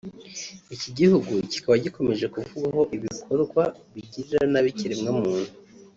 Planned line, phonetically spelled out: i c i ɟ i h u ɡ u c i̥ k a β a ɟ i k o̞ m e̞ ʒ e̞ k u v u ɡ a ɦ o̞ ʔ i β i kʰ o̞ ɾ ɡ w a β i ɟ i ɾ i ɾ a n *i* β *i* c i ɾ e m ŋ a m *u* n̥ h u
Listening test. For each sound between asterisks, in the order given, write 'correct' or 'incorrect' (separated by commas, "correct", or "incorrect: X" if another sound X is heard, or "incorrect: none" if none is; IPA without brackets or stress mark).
incorrect: a, correct, incorrect: uː